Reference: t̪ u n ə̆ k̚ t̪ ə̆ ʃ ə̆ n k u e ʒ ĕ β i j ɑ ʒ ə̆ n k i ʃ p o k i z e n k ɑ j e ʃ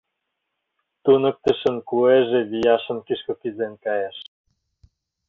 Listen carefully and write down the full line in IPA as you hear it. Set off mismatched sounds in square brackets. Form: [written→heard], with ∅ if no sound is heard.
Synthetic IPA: t̪ u n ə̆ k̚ t̪ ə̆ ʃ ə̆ n k u e ʒ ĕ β i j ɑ [ʒ→ʃ] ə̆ n k i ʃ [p→k] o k i z e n k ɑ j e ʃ